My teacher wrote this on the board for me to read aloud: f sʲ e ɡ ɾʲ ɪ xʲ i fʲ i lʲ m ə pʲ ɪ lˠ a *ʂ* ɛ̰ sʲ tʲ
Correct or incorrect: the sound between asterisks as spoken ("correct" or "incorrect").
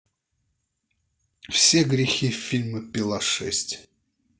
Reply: correct